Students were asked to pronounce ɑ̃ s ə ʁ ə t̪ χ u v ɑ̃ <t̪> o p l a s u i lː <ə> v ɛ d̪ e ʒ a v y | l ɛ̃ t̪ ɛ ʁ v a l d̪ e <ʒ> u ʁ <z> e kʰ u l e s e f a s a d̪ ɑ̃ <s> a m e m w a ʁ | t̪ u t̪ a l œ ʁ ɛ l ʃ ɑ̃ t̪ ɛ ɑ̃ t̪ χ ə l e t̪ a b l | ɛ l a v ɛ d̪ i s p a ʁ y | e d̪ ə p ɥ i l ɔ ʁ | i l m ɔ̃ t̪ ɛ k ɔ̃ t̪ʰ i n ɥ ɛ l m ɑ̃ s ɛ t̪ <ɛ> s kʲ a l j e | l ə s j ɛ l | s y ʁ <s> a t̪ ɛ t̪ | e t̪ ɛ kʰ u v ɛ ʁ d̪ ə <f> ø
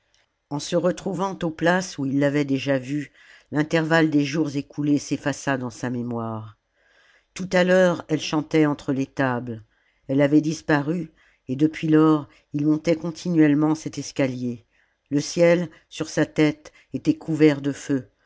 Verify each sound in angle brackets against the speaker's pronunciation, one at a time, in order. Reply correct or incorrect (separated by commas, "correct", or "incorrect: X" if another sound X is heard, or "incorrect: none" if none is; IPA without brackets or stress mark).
correct, incorrect: a, correct, correct, correct, correct, correct, correct